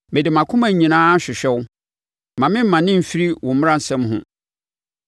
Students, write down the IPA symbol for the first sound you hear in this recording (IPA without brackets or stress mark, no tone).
m